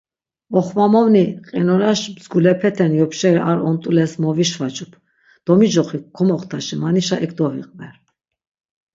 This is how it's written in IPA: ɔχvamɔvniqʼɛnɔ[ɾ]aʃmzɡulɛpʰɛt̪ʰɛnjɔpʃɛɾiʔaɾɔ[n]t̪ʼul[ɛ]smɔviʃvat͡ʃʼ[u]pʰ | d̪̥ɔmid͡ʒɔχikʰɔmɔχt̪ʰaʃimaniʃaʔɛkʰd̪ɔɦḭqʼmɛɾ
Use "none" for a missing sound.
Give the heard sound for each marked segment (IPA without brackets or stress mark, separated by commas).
ɾ, n, ɛ, u